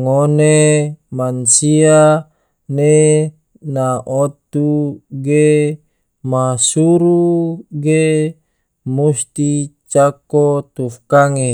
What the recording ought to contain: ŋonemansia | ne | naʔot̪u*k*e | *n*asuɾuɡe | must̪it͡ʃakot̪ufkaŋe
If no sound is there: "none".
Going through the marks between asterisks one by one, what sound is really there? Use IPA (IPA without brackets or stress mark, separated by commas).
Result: ɡ, m